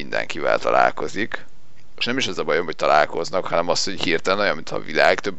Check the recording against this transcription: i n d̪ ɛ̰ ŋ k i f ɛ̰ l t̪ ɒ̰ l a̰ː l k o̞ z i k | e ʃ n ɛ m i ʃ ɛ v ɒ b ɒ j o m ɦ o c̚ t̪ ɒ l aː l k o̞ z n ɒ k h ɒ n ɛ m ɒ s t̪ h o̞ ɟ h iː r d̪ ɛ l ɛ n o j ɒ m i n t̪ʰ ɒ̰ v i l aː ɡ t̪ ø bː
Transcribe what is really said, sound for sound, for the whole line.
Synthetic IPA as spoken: i n d̪ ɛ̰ ŋ k i v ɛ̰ l t̪ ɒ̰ l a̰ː l k o̞ z i k | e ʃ n ɛ m i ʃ ɛ z ɒ b ɒ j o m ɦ o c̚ t̪ ɒ l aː l k o̞ z n ɒ k h ɒ n ɛ m ɒ s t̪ h o̞ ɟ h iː r t̪ ɛ l ɛ n o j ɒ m i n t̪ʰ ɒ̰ v i l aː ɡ t̪ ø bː